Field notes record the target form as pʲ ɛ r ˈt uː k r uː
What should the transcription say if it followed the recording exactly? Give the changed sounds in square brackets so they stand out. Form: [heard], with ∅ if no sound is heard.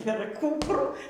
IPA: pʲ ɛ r [ˈk] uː [p] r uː

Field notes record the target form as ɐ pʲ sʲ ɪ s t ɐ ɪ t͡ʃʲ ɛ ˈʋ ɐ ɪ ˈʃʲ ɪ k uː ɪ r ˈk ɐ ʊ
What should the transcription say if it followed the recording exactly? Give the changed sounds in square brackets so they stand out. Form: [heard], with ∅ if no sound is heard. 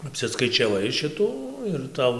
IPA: ɐ pʲ sʲ ɪ s [k] ɐ ɪ t͡ʃʲ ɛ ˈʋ ɐ ɪ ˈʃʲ ɪ [t] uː ɪ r [ˈt] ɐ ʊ

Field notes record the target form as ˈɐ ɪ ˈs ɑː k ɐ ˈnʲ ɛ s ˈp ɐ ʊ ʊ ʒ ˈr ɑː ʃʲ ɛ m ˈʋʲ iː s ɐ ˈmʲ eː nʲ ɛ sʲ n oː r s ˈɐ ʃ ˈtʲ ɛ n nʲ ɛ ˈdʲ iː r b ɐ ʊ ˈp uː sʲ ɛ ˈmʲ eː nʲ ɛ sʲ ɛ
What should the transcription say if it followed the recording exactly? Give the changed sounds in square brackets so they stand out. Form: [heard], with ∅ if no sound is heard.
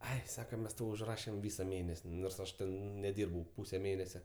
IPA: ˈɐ ɪ ˈs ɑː k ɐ [ˈmʲ] ɛ s [ˈt] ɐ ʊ ʊ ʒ ˈr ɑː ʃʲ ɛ m ˈʋʲ iː s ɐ ˈmʲ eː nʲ ɛ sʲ n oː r s ˈɐ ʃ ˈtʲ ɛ n nʲ ɛ ˈdʲ iː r b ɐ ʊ ˈp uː sʲ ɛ ˈmʲ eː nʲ ɛ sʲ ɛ

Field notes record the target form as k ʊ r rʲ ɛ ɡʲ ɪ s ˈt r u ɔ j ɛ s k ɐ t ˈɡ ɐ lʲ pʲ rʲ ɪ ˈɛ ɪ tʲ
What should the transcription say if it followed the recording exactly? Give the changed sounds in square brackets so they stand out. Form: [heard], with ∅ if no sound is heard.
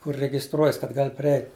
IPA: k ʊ r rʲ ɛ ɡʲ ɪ s ˈt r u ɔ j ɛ s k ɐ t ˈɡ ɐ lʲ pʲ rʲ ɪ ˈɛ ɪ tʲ

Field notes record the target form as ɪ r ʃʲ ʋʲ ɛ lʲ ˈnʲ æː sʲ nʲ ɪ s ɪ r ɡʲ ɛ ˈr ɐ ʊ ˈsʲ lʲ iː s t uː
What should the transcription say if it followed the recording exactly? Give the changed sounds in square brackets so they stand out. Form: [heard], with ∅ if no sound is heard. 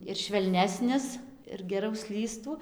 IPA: ɪ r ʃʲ ʋʲ ɛ lʲ ˈnʲ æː sʲ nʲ ɪ s ɪ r ɡʲ ɛ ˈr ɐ ʊ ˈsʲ lʲ iː s t uː

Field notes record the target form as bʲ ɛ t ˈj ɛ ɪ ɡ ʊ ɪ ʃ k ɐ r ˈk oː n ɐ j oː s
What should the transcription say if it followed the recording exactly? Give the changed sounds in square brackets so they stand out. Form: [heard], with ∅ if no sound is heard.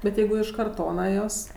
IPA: bʲ ɛ t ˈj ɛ ɪ ɡ ʊ ɪ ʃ k ɐ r [ˈt] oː n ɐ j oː s

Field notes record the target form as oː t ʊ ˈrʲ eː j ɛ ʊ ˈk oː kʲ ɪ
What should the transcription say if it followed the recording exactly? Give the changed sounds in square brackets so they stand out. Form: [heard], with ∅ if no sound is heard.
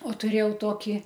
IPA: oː t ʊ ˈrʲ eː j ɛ ʊ [ˈt] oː kʲ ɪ

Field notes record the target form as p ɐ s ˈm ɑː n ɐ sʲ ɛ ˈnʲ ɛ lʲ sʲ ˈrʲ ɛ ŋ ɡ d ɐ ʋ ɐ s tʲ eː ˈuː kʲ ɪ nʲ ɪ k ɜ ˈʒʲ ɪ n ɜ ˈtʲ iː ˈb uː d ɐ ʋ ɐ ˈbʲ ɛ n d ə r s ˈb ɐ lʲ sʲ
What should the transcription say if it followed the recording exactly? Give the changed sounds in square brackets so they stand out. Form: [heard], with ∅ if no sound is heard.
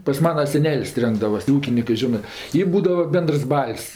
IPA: p ɐ s ˈm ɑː n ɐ sʲ ɛ ˈnʲ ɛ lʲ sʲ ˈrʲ ɛ ŋ ɡ d ɐ ʋ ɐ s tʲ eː ˈuː kʲ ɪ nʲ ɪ k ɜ ˈʒʲ ɪ n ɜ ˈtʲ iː ˈb uː d ɐ ʋ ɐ ˈbʲ ɛ n d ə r s ˈb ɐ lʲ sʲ

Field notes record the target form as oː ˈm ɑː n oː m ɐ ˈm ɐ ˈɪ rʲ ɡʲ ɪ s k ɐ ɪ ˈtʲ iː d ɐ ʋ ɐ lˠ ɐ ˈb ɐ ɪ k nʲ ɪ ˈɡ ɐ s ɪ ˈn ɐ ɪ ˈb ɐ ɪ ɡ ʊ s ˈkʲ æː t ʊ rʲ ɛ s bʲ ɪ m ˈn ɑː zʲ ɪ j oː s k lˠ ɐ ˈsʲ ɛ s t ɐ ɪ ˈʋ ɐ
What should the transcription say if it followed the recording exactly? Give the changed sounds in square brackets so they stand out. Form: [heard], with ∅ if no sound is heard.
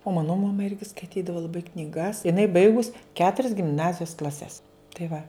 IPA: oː ˈm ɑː n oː m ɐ ˈm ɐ ˈɪ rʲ ɡʲ ɪ s k ɐ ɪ ˈtʲ iː d ɐ ʋ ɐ lˠ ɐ ˈb ɐ ɪ k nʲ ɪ ˈɡ ɐ s ɪ ˈn ɐ ɪ ˈb ɐ ɪ ɡ ʊ s ˈkʲ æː t ʊ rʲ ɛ s [ɡʲ] ɪ m ˈn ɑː zʲ ɪ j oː s k lˠ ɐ ˈsʲ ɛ s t ɐ ɪ ˈʋ ɐ

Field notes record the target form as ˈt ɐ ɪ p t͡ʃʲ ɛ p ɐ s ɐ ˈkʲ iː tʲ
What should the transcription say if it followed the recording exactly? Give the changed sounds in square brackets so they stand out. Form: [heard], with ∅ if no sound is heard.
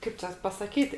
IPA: [ˈk] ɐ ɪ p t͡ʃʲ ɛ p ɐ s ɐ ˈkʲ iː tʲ

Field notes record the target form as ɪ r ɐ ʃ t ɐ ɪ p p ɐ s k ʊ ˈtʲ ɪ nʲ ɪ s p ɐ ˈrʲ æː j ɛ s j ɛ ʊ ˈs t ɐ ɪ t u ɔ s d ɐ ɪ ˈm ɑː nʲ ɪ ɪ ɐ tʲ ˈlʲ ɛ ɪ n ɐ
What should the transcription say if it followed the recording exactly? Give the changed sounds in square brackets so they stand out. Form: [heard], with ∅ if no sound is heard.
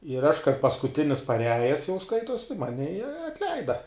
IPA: ɪ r ɐ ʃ [k] ɐ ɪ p p ɐ s k ʊ ˈtʲ ɪ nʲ ɪ s p ɐ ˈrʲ æː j ɛ s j ɛ ʊ ˈs [k] ɐ ɪ t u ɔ s [t] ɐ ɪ ˈm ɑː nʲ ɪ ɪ ɐ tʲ ˈlʲ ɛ ɪ [d] ɐ

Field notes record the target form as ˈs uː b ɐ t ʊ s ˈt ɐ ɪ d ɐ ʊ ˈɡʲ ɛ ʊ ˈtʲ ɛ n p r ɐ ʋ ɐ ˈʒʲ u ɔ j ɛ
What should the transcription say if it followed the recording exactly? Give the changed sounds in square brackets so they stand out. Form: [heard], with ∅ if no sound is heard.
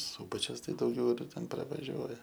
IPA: ˈs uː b ɐ [t͡ʃʲ] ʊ s ˈt ɐ ɪ d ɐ ʊ ˈɡʲ ɛ ʊ ˈtʲ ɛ n p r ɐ ʋ ɐ ˈʒʲ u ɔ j ɛ

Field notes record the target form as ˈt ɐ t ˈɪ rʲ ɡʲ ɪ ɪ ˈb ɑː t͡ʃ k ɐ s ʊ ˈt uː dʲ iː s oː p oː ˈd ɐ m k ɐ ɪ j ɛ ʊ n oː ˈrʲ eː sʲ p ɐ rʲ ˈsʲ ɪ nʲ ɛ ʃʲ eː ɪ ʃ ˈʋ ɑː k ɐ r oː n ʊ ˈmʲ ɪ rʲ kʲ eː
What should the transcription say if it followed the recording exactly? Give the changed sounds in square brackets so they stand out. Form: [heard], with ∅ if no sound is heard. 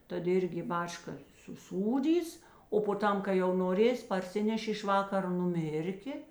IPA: ˈt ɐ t ˈɪ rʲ ɡʲ ɪ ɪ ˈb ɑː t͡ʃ k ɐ s ʊ [ˈs] uː dʲ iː s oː p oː [ˈt] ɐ m k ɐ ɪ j ɛ ʊ n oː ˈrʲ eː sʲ p ɐ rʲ ˈsʲ ɪ nʲ ɛ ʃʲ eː ɪ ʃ ˈʋ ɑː k ɐ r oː n ʊ ˈmʲ ɪ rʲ kʲ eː

